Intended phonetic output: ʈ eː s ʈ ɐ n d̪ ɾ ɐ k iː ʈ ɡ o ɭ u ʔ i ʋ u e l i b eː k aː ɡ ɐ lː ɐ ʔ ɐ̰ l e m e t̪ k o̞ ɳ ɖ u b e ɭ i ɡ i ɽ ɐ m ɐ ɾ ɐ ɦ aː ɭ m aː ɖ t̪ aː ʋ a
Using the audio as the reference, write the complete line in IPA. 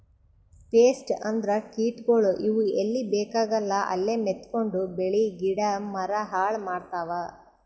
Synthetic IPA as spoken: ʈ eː s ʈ ɐ n d̪ ɾ ɐ k iː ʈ ɡ o ɭ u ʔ i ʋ u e lː i b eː k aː ɡ ɐ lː ɐ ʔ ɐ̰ lː e m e t̪ k o̞ ɳ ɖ u b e ɭ i ɡ i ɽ ɐ m ɐ ɾ ɐ ɦ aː ɭ m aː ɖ t̪ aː ʋ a